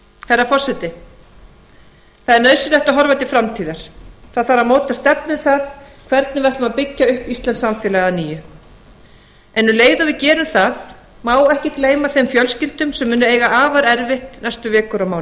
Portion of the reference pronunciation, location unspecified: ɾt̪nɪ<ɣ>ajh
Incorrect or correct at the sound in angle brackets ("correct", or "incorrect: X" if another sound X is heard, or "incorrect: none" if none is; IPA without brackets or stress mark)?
incorrect: v